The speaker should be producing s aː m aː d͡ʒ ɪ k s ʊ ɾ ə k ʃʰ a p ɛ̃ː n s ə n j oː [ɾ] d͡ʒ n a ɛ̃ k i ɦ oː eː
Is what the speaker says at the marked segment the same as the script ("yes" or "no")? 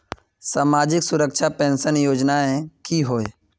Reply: no